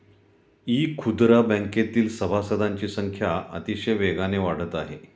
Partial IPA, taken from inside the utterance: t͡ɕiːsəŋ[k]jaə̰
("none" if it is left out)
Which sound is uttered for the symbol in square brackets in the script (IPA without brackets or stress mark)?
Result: kʰ